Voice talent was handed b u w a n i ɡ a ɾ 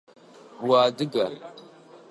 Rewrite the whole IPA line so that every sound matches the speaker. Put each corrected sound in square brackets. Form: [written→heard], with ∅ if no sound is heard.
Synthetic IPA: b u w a [n→d] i ɡ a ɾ